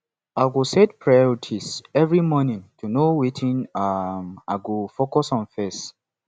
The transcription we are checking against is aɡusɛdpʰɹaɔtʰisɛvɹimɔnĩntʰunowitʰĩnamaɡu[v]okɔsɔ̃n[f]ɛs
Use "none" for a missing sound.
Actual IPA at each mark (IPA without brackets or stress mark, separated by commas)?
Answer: f, f